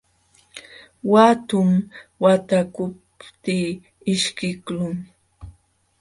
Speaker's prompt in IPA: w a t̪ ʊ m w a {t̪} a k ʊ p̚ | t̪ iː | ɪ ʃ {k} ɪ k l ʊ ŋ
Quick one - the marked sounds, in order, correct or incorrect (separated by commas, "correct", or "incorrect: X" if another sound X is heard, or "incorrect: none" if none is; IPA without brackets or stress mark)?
correct, correct